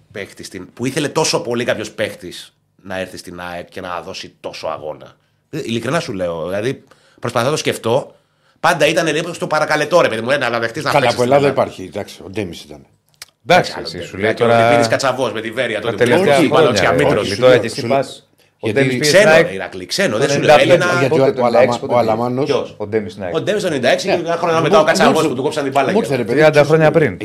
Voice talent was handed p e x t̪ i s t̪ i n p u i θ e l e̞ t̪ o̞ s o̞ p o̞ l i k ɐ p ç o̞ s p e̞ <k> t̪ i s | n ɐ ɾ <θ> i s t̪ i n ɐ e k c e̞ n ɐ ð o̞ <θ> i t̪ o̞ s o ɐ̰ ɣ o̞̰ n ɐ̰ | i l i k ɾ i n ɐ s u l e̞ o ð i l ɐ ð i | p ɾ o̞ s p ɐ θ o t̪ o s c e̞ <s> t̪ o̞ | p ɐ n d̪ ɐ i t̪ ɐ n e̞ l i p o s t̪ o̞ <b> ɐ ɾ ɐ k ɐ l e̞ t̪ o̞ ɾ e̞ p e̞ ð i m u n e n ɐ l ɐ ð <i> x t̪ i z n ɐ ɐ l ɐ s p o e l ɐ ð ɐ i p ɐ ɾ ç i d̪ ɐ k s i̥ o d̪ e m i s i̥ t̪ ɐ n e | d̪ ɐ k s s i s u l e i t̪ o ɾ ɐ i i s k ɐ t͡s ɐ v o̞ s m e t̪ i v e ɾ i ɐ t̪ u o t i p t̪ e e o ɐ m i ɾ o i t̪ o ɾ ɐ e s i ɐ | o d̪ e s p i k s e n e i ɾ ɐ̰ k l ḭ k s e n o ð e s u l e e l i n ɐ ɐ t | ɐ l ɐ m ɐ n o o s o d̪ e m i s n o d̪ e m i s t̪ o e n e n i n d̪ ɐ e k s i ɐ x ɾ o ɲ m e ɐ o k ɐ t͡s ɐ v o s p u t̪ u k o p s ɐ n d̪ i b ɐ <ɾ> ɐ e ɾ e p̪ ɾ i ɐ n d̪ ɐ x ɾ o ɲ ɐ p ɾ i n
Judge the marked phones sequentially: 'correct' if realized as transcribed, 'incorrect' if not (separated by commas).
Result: incorrect, correct, incorrect, incorrect, incorrect, incorrect, incorrect